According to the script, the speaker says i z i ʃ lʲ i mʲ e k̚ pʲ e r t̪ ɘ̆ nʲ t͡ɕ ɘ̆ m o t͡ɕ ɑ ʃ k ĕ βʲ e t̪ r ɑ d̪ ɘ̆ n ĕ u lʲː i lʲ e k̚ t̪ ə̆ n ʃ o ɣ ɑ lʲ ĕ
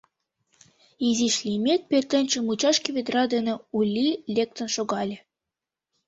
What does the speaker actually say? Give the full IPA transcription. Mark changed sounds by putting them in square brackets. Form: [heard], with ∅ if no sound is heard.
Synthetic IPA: i z i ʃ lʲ i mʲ e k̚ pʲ e r t̪ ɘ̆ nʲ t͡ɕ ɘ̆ m [u] t͡ɕ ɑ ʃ k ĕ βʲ e [d̪] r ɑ d̪ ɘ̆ n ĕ u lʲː i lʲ e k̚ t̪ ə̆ n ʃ o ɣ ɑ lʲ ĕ